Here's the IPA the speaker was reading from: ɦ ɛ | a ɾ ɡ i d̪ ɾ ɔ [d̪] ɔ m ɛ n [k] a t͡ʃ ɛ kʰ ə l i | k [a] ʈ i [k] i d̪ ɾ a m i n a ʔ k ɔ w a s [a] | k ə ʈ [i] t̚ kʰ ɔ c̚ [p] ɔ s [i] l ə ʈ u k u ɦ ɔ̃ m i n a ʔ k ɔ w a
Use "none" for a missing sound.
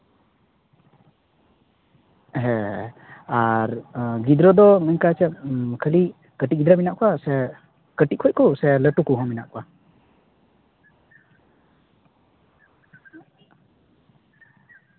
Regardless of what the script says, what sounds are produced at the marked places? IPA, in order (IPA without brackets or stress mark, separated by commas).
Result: d̪, k, ə, ɡ, ɛ, i, k, ɛ